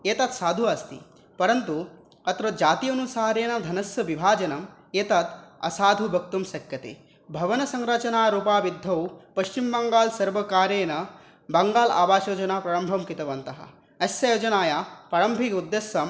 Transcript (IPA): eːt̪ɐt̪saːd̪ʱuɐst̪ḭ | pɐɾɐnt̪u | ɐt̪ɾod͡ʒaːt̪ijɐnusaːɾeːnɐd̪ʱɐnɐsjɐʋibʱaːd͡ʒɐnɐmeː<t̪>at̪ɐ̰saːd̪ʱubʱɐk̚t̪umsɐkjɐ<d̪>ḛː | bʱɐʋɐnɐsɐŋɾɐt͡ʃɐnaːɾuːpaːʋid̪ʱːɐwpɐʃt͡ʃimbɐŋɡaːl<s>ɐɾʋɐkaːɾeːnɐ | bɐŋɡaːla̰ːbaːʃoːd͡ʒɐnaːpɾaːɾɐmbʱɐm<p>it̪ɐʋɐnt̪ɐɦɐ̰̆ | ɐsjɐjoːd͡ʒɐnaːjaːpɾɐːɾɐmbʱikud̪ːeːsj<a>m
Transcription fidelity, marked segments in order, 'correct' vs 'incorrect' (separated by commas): correct, incorrect, correct, incorrect, incorrect